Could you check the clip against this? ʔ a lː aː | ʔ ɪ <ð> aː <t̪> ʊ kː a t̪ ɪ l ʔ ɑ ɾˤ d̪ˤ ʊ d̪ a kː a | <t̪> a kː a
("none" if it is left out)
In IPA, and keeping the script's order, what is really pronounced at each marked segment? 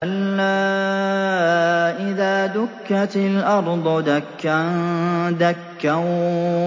ð, d̪, d̪

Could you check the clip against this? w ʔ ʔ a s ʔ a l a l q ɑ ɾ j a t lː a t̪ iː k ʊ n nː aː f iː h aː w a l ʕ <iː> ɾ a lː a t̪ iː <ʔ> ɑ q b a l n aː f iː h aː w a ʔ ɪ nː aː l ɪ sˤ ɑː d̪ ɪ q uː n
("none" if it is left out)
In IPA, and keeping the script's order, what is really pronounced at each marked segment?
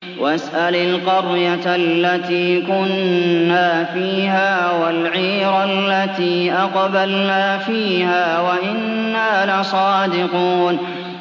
iː, ʔ

